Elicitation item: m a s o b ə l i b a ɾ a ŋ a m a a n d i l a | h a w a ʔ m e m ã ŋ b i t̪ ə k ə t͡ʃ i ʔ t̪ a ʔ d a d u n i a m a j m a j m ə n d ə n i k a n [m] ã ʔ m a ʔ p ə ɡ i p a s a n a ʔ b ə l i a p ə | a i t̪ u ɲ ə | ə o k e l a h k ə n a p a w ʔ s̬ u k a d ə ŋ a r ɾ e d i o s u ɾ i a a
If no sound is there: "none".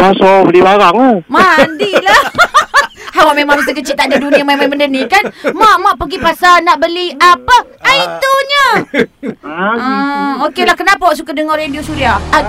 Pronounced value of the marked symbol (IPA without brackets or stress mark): m